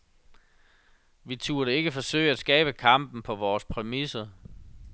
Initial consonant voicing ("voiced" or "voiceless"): voiced